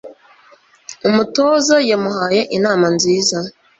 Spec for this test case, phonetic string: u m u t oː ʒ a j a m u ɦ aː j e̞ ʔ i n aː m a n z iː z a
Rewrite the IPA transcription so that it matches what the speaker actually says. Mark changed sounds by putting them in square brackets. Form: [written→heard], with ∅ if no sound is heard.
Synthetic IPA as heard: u m u t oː [ʒ→z] a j a m u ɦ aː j e̞ ʔ i n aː m a n z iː z a